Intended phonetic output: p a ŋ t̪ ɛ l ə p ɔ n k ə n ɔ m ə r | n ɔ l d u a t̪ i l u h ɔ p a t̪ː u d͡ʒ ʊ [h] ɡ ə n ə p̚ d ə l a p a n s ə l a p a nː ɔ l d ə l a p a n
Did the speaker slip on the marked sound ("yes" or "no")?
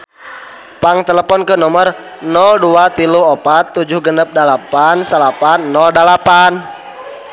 no